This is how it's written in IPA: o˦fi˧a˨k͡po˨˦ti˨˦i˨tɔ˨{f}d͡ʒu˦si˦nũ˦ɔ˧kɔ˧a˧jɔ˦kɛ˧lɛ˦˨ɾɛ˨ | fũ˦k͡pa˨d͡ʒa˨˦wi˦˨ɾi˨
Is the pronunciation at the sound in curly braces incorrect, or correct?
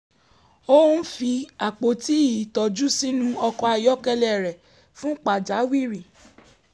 incorrect